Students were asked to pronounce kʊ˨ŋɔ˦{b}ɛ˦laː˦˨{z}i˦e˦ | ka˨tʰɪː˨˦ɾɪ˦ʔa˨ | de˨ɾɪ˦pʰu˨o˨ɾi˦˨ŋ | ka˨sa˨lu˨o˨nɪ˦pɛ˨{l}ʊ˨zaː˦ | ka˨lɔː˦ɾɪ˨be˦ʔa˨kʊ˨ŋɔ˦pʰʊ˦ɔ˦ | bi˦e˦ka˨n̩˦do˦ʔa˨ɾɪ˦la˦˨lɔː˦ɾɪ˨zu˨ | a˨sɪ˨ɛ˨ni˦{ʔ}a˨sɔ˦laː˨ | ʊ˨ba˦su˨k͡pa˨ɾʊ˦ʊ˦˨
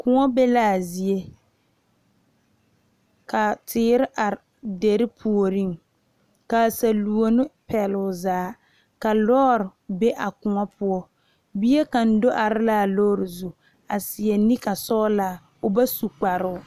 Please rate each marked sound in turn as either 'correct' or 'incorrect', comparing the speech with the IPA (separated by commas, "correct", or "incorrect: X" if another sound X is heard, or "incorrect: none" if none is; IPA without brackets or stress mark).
correct, correct, correct, incorrect: k